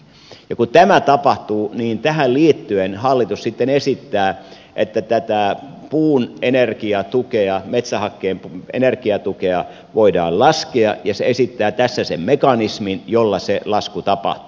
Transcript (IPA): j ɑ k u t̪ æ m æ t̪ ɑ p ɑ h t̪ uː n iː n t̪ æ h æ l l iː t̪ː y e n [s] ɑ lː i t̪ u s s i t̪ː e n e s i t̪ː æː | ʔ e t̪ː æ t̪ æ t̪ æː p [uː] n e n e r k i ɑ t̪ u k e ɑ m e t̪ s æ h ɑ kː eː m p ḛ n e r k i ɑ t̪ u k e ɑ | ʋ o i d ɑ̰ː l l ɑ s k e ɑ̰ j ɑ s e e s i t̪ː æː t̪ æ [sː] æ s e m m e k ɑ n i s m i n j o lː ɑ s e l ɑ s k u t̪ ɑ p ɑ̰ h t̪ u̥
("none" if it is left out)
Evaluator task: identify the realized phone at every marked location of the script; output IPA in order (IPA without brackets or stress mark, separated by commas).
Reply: h, uː, sː